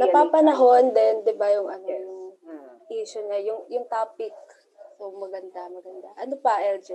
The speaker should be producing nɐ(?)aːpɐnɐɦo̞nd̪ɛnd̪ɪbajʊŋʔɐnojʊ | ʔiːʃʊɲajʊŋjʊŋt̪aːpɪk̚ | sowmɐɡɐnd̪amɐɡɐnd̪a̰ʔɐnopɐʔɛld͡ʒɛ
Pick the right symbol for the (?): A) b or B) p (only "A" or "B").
B